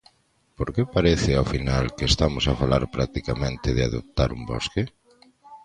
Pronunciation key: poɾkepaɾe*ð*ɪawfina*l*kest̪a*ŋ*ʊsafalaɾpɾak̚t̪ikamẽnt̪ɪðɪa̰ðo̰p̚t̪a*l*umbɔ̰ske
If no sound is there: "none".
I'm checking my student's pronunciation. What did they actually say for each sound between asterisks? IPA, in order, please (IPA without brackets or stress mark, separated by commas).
θ, l, m, ɾ